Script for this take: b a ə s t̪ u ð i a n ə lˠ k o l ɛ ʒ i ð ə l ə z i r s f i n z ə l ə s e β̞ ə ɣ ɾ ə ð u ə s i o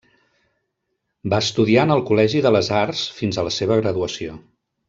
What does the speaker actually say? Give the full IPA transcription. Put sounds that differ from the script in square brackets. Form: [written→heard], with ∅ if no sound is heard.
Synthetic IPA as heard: b a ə s t̪ u ð i a n ə lˠ k [o→u] l ɛ ʒ i ð ə l ə z [i→a] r s f i n z ə l ə s e β̞ ə ɣ ɾ ə ð u ə s i o